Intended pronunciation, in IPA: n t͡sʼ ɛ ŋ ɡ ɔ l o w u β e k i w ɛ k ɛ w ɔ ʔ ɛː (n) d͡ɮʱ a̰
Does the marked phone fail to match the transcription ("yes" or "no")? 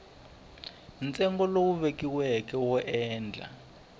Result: no